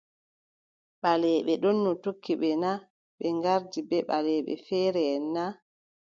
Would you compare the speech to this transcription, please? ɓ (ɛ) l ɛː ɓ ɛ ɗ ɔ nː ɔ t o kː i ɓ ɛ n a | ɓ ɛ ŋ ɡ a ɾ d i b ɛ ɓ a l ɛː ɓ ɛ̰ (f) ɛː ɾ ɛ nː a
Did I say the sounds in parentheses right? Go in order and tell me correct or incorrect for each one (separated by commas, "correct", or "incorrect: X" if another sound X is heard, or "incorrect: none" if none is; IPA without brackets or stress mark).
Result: incorrect: a, correct